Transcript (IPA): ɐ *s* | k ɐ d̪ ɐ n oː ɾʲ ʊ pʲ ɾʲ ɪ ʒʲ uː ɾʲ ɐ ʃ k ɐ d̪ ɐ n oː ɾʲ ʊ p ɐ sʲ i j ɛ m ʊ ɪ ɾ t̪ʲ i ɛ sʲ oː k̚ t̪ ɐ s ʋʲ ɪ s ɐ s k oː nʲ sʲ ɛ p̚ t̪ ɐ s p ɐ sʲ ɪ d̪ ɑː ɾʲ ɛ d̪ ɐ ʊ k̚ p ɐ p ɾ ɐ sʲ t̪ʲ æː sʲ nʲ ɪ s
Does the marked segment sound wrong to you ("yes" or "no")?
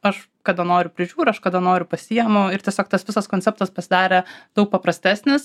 yes